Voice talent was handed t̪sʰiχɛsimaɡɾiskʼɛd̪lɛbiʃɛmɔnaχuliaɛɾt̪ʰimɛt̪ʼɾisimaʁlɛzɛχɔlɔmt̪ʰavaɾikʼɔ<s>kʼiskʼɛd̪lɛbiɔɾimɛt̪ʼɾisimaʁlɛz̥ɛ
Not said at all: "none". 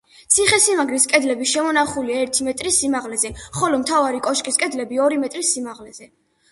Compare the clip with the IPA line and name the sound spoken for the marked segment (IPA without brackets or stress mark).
ʃ